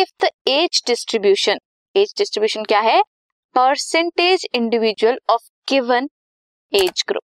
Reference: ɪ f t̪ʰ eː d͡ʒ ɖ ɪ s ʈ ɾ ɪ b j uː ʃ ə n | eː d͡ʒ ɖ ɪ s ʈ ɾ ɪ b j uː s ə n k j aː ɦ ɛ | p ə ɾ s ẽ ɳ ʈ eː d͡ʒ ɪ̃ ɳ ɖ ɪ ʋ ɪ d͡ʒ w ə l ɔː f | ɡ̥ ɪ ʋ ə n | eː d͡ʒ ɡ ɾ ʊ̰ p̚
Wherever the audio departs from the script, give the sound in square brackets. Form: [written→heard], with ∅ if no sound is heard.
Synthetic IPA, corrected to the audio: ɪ f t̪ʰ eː d͡ʒ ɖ ɪ s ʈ ɾ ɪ b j uː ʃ ə n | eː d͡ʒ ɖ ɪ s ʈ ɾ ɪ b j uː [s→ʃ] ə n k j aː ɦ ɛ | p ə ɾ s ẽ ɳ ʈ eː d͡ʒ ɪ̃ ɳ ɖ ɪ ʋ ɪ d͡ʒ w ə l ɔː f | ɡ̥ ɪ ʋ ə n | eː d͡ʒ ɡ ɾ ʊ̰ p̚